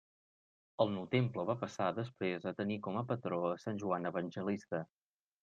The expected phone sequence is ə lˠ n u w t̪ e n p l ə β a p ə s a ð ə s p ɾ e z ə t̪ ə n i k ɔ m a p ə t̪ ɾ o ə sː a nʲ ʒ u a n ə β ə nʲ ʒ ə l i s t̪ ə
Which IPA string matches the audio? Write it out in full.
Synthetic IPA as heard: ə lˠ n u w t̪ e m p l ə β a p ə s a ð ə s p ɾ e z ə t̪ ə n i k ɔ m ə p ə t̪ ɾ o ə s a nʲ ʒ u a n ə β ə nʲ ʒ ə l i s t̪ ə

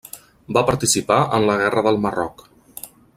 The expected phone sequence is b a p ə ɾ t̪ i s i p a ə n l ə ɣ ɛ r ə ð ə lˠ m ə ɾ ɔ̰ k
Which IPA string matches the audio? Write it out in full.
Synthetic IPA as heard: b a p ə ɾ t̪ i s i p a ə n l ə ɣ ɛ r ə ð ə lˠ m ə r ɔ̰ k

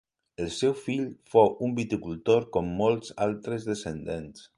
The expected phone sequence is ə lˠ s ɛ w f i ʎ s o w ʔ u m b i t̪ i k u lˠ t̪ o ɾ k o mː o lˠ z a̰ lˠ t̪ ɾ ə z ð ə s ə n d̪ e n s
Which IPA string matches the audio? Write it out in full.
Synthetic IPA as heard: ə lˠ s ɛ w f i ʎ f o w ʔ u m b i t̪ i k u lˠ t̪ o ɾ k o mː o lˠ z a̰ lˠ t̪ ɾ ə z ð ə s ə n d̪ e n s

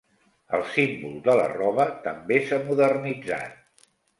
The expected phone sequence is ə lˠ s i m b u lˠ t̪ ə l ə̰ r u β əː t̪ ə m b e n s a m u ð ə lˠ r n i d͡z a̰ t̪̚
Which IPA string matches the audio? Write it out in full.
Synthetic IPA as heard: ə lˠ s i m b u lˠ d̪ ə l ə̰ r ɔ β ə t̪ ə m b e s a m u ð ə r n i d͡z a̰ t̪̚

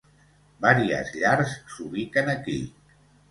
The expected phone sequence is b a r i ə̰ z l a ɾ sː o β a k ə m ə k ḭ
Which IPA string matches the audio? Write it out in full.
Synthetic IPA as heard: b a ɾ i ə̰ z ʎ a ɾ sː u β i k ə n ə k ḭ

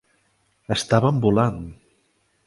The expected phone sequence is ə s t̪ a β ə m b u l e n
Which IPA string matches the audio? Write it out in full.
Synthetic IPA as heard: ə s t̪ a β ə m b u l a n

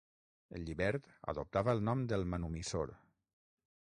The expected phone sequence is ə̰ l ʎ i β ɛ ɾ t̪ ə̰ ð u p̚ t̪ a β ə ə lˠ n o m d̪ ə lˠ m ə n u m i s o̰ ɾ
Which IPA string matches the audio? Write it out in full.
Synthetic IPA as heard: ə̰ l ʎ i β ɛ ɾ t̪ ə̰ ð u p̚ t̪ a β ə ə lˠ n ɔ m d̪ ə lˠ m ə n u m i s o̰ ɾ

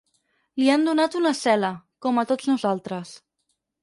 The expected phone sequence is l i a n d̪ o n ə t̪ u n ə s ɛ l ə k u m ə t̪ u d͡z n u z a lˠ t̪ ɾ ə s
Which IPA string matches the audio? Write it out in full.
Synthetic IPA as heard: l i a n d̪ u n a t̪ u n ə s ɛ l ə k ɔ m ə t̪ o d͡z n u z a lˠ t̪ ɾ ə s

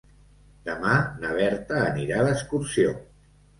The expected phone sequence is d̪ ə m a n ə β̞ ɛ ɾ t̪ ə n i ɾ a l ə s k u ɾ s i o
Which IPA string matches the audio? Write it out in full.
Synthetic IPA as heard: d̪ ə m a n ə β̞ ɛ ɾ t̪ əː n i ɾ a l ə s k u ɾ s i o

